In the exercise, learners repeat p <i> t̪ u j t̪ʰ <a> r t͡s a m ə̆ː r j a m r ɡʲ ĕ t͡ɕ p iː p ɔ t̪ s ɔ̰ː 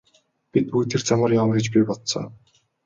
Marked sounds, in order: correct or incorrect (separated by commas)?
correct, incorrect